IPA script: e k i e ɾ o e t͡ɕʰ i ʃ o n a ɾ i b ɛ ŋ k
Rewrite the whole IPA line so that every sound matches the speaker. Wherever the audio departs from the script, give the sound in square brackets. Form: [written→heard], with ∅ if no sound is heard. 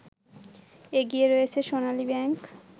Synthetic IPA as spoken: e [k→ɡ] i e ɾ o e t͡ɕʰ [i→e] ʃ o n a [ɾ→l] i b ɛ ŋ k